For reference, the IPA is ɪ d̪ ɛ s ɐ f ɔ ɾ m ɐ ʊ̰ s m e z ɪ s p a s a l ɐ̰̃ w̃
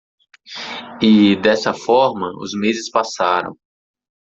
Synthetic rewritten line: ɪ d̪ ɛ s ɐ f ɔ ɾ m ɐ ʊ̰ z m e z ɪ s p a s a ɾ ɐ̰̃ w̃